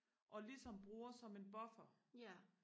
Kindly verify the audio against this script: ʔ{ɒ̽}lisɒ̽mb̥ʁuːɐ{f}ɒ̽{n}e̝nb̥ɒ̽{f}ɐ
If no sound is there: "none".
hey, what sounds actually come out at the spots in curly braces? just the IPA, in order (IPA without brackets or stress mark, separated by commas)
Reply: ɒ̽, s, m, f